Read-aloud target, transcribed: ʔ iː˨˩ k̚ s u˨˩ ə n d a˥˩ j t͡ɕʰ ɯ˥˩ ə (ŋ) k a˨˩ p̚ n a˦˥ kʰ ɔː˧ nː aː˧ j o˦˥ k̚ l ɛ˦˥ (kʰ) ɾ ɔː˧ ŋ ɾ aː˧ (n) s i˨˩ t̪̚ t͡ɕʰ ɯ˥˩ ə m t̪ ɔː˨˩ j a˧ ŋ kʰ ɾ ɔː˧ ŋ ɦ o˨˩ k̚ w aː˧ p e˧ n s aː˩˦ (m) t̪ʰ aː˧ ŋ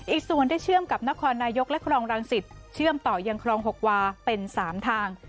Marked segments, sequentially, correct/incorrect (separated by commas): incorrect, correct, incorrect, correct